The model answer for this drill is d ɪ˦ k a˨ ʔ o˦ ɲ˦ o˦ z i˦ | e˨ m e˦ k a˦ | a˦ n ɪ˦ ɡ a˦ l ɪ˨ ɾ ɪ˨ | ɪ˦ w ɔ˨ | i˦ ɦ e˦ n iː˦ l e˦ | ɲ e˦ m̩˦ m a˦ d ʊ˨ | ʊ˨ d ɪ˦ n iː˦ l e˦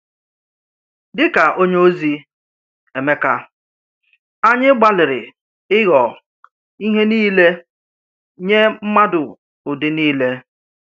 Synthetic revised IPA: d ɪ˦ k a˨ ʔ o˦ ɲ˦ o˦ z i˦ | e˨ m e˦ k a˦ | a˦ ɲ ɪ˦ ɡ͡b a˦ l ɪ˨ ɾ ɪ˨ | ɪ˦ ɣ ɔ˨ | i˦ ɦ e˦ n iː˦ l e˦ | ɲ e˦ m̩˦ m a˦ d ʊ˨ | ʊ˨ d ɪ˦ n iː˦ l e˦

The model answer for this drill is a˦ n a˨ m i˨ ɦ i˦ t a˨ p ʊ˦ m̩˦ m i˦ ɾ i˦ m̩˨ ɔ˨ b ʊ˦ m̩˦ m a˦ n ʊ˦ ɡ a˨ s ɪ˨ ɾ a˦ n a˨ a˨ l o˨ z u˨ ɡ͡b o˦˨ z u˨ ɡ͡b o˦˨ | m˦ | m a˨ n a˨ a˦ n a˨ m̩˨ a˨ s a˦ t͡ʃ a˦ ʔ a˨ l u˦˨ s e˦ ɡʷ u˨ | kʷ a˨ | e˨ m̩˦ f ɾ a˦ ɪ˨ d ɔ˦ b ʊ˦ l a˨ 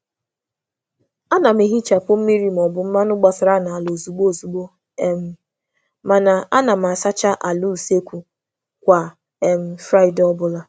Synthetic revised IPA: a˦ n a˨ m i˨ ɦ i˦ t͡ʃ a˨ p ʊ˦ m̩˦ m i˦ ɾ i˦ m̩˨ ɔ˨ b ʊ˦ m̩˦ m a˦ n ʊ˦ ɡ͡b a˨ s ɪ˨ ɾ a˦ n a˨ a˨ l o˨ z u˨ ɡ͡b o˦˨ z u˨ ɡ͡b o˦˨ | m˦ | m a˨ n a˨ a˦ n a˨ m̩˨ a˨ s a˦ t͡ʃ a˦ ʔ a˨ l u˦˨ s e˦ kʷ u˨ | kʷ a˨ | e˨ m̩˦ f ɾ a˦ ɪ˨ d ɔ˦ b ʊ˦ l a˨

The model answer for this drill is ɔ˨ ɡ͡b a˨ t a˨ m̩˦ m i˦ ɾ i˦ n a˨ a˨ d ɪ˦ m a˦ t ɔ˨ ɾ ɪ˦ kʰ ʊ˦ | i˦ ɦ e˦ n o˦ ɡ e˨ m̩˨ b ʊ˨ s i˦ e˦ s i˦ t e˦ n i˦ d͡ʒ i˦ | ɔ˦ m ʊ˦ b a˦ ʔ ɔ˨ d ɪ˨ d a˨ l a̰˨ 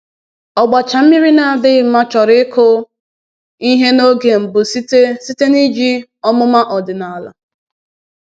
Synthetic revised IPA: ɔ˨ ɡ͡b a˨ t͡ʃ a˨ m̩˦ m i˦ ɾ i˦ n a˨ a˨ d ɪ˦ m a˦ t͡ʃ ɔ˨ ɾ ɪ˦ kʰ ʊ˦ | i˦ ɦ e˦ n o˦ ɡ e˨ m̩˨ b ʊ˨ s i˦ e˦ s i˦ t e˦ n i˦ d͡ʒ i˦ | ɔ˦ m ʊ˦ m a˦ ʔ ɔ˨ d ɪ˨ n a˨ l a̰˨

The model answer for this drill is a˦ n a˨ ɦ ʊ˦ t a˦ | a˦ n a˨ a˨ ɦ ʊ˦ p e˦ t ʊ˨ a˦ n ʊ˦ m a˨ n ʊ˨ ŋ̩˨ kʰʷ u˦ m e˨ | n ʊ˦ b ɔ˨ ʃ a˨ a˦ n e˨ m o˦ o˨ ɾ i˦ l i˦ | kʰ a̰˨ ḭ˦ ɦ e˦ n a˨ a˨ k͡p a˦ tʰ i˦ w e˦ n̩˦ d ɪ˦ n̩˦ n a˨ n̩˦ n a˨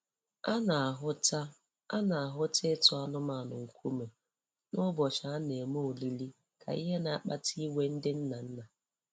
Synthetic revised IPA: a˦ n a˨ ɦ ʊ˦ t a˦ | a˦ n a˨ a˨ ɦ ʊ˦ t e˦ t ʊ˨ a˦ n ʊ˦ m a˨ n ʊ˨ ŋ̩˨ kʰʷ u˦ m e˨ | n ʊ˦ b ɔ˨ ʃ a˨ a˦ n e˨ m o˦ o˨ l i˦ l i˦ | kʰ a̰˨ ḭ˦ ɦ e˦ n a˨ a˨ k͡p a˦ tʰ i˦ w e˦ n̩˦ d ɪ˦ n̩˦ n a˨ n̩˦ n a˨

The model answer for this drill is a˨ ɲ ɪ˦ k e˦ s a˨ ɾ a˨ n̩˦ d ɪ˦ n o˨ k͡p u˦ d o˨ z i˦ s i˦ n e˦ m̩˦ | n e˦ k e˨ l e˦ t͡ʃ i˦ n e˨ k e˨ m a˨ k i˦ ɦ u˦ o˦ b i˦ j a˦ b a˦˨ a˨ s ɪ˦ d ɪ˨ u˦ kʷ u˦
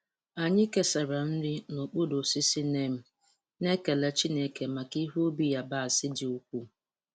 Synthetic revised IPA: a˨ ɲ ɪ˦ k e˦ s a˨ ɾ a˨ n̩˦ d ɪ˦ n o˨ k͡p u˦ d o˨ s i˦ s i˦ n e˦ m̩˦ | n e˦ k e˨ l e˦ t͡ʃ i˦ n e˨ k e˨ m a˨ k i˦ ɦ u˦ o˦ b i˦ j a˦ b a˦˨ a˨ s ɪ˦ d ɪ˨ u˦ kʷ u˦

